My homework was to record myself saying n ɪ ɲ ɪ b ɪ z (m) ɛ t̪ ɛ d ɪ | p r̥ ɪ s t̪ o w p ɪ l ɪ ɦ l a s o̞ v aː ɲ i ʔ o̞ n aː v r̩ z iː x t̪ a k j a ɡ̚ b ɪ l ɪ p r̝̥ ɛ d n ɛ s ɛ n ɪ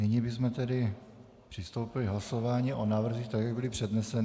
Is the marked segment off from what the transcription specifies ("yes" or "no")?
no